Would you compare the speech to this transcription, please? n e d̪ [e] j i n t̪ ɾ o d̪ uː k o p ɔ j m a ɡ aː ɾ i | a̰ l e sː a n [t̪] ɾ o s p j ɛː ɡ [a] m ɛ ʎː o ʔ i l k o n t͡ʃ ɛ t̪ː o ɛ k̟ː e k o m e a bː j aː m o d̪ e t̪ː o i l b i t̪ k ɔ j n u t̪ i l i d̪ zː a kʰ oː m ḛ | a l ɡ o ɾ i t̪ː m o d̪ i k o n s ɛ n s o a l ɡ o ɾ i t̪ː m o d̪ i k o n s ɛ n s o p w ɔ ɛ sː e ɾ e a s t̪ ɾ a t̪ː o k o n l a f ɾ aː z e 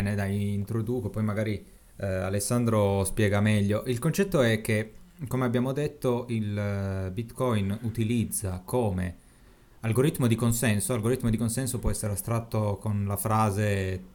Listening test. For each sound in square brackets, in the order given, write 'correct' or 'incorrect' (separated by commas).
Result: incorrect, incorrect, correct